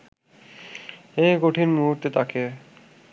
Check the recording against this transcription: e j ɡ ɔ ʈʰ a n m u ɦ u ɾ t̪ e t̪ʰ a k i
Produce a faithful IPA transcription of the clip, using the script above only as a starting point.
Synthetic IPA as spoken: e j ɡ o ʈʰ i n m u ɦ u ɾ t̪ e t̪ a k e